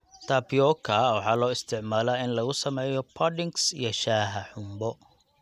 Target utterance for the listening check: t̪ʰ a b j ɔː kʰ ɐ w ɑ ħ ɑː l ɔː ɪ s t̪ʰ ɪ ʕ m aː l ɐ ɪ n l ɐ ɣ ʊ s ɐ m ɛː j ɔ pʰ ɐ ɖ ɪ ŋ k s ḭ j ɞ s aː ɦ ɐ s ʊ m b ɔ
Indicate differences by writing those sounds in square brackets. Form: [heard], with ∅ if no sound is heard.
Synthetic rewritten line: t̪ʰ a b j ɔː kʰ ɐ w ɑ ħ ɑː l ɔː ɪ s t̪ʰ ɪ ʕ m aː l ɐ ɪ n l ɐ ɣ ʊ s ɐ m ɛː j ɔ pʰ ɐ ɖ ɪ ŋ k s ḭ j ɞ [ʃ] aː ɦ ɐ [ħ] ʊ m b ɔ